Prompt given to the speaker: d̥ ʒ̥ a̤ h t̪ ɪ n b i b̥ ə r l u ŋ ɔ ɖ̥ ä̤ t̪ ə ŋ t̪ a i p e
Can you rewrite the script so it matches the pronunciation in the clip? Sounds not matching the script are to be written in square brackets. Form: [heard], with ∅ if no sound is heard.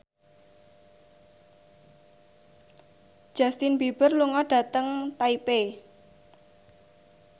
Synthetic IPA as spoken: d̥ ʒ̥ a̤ [s] t̪ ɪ n b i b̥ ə r l u ŋ ɔ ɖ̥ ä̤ t̪ ə ŋ t̪ a i p e